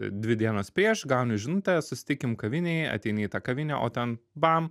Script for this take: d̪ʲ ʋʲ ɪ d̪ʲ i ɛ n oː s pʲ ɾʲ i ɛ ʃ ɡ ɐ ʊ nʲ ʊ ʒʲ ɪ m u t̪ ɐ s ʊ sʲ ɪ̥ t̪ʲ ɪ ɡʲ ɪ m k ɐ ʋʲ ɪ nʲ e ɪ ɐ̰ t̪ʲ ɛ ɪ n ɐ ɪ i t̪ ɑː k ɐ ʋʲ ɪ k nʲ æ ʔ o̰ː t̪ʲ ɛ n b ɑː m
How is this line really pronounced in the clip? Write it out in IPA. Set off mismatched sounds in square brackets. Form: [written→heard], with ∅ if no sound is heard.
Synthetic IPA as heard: d̪ʲ ʋʲ ɪ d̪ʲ i ɛ n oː s pʲ ɾʲ i ɛ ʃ ɡ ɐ ʊ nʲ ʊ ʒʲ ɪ [m→n] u t̪ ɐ s ʊ sʲ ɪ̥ t̪ʲ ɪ [ɡʲ→kʲ] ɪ m k ɐ ʋʲ ɪ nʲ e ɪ ɐ̰ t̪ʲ ɛ ɪ n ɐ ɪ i t̪ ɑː k ɐ ʋʲ ɪ [k→∅] nʲ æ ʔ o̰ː t̪ʲ ɛ n b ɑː m